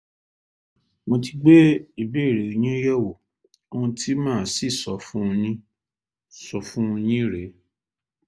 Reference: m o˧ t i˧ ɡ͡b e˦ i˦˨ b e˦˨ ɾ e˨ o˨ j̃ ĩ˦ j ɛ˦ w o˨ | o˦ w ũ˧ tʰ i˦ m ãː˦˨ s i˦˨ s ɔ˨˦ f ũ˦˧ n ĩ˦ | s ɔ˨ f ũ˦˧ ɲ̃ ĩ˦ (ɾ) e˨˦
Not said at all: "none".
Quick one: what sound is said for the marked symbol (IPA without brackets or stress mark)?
ɾ